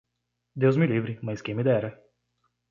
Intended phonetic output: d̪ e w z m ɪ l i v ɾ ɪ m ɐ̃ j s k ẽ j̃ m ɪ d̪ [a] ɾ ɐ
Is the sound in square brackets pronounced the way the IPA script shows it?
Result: no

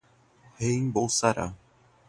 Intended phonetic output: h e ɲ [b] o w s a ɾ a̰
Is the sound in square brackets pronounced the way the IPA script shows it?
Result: yes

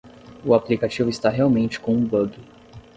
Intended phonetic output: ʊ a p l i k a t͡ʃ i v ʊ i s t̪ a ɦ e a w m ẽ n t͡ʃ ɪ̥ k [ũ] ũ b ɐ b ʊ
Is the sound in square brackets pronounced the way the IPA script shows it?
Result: no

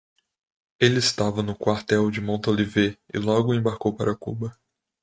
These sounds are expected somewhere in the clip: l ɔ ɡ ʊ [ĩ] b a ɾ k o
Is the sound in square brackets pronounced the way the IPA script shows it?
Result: no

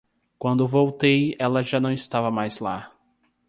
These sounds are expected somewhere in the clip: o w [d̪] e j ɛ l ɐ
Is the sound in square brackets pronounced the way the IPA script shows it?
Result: no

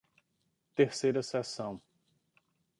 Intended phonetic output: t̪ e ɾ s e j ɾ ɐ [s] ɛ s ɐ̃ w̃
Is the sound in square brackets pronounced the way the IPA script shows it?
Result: yes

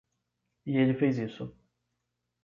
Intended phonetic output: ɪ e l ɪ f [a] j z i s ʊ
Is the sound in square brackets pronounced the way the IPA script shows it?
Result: no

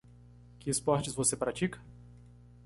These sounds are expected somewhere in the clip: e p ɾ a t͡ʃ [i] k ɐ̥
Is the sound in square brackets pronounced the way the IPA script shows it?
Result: yes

